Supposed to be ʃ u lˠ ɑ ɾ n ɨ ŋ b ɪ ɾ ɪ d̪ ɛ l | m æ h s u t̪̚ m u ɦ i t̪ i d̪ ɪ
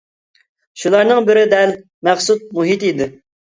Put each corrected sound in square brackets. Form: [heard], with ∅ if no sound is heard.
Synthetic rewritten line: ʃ u lˠ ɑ ɾ n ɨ ŋ b ɪ ɾ ɪ d̪ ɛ l | m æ [χ] s u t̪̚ m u ɦ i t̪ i d̪ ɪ